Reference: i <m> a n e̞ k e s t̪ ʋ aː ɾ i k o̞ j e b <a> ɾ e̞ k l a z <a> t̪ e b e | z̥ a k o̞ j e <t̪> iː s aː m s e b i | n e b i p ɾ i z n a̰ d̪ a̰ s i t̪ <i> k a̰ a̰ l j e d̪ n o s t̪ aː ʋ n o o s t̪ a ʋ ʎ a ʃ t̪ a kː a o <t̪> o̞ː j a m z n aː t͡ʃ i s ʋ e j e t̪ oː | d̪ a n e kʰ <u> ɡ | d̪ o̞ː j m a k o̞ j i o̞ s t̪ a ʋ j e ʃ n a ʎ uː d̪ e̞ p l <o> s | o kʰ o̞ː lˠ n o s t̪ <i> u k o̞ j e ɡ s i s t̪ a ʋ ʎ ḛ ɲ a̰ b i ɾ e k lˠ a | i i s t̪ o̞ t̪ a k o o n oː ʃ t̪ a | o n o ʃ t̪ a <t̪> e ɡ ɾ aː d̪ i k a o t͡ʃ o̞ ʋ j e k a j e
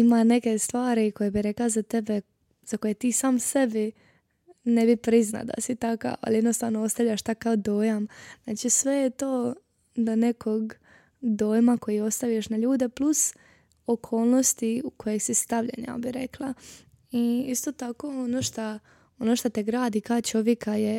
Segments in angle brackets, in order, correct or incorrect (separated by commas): correct, incorrect, correct, correct, incorrect, incorrect, incorrect, incorrect, correct, correct